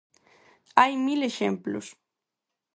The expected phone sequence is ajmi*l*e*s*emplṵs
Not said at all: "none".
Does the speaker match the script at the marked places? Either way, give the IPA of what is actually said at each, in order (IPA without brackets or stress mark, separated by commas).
l, ʃ